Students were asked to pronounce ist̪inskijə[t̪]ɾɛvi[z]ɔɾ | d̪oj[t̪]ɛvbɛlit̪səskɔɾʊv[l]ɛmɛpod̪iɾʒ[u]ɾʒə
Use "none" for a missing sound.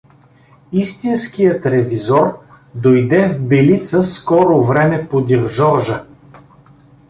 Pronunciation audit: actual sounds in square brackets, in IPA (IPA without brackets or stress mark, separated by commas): t̪, z, d̪, ɾ, ɔ